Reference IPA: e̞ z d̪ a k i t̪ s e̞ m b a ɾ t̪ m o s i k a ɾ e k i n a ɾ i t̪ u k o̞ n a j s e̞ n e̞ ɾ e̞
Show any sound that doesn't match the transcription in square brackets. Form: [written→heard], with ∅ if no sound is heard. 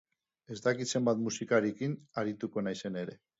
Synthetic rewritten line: e̞ z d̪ a k i t̪ s e̞ m b a [ɾ→∅] t̪ m [o→u] s i k a ɾ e k i n a ɾ i t̪ u k o̞ n a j s e̞ n e̞ ɾ e̞